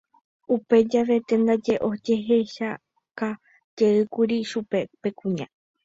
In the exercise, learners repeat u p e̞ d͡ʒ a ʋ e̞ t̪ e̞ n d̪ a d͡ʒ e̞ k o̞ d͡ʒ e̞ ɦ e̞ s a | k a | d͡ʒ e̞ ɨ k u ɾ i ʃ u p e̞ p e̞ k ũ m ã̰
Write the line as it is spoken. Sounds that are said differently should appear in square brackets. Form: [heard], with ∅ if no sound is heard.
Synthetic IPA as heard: u p e̞ d͡ʒ a ʋ e̞ t̪ e̞ n d̪ a d͡ʒ e̞ [ʔ] o̞ d͡ʒ e̞ ɦ e̞ [ʃ] a | k a | d͡ʒ e̞ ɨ k u ɾ i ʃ u p e̞ p e̞ k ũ [ɲ] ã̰